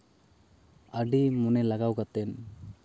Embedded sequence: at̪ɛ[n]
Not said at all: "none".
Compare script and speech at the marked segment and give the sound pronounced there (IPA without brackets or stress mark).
n